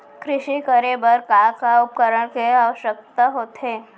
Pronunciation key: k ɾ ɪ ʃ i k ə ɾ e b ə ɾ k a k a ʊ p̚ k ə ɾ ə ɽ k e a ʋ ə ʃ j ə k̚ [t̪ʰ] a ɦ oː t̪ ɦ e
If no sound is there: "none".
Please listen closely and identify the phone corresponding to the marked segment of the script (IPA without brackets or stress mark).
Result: t̪